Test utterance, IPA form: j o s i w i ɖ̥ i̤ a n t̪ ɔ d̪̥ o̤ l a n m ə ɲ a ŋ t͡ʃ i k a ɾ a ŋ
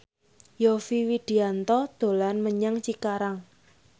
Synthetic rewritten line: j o f i w i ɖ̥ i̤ a n t̪ ɔ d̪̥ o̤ l a n m ə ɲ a ŋ t͡ʃ i k a ɾ a ŋ